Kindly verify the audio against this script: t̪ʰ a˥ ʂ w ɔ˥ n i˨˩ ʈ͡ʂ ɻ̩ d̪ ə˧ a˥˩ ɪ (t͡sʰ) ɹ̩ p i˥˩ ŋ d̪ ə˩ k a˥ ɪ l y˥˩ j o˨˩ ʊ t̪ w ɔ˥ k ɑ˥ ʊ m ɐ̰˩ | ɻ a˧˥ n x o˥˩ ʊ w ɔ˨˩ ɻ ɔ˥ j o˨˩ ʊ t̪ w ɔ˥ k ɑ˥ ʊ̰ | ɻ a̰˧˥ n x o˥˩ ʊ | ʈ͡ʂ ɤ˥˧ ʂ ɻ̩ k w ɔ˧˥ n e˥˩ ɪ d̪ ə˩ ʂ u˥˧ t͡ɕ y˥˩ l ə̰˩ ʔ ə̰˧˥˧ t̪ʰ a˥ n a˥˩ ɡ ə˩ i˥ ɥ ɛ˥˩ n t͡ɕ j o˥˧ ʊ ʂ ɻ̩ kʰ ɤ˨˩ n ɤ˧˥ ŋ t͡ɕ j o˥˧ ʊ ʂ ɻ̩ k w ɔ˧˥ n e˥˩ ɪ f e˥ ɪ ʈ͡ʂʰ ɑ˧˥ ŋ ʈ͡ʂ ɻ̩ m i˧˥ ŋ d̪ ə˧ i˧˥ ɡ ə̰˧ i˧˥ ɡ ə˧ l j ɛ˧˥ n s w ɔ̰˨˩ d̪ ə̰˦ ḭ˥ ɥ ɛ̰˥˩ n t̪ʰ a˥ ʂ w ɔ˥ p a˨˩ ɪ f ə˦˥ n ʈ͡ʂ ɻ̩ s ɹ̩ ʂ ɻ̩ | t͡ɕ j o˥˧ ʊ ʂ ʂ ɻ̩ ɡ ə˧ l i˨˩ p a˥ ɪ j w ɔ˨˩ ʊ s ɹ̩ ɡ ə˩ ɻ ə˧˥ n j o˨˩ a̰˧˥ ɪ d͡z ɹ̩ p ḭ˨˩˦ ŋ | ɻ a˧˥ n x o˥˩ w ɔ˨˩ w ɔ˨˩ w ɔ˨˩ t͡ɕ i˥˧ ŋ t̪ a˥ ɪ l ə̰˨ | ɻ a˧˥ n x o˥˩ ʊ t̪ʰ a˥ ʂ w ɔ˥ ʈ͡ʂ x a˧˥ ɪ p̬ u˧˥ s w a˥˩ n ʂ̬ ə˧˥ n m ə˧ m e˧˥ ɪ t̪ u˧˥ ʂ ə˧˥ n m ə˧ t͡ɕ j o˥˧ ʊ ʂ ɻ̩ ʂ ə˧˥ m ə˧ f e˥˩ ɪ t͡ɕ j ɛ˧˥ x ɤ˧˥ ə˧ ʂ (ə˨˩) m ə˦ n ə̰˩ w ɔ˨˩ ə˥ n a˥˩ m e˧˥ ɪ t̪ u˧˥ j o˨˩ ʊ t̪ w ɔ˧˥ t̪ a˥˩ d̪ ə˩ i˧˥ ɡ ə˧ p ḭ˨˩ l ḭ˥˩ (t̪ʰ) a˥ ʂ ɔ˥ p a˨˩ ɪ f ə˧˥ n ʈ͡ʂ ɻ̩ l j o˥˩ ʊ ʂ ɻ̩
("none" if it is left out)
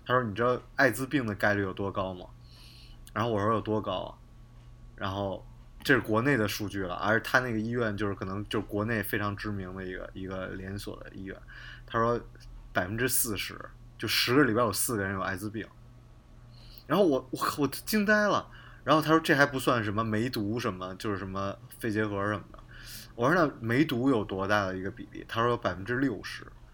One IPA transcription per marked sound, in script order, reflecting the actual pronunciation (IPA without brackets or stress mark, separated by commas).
t͡s, ə˨˩, t̪ʰ